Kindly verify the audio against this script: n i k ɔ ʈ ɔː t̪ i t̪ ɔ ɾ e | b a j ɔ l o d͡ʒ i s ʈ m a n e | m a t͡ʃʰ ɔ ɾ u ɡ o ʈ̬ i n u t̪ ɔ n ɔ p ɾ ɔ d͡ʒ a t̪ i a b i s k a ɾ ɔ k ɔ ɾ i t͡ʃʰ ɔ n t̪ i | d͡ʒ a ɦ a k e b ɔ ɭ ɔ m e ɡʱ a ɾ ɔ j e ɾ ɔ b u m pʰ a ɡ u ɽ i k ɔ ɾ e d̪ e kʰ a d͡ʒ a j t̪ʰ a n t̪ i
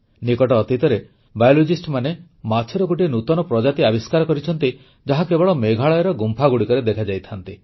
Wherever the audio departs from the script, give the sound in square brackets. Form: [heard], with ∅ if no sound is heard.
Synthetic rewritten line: n i k ɔ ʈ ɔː t̪ i t̪ ɔ ɾ e | b a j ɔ l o d͡ʒ i s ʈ m a n e | m a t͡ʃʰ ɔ ɾ [ɔ] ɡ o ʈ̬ i n u t̪ ɔ n ɔ p ɾ ɔ d͡ʒ a t̪ i a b i s k a ɾ ɔ k ɔ ɾ i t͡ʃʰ ɔ n t̪ i | d͡ʒ a ɦ a k e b ɔ ɭ ɔ m e ɡʱ a [ɭ] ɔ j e ɾ ɔ [ɡ] u m pʰ a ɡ u ɽ i k ɔ ɾ e d̪ e kʰ a d͡ʒ a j t̪ʰ a n t̪ i